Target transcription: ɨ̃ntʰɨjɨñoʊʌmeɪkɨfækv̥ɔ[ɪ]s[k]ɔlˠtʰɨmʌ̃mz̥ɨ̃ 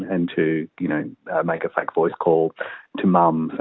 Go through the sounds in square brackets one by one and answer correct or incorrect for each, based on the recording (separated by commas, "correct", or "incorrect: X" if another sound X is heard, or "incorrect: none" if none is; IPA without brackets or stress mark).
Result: correct, incorrect: kʰ